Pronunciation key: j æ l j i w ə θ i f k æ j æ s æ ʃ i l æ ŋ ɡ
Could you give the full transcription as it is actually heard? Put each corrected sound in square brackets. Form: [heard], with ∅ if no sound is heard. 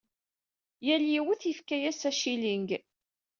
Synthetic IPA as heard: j æ l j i w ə θ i f k æ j æ s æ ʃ i l [i] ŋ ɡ